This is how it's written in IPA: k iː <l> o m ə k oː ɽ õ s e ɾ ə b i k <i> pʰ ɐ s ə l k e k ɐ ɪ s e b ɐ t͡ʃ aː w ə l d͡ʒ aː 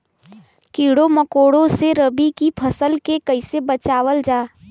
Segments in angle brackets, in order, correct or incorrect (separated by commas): incorrect, correct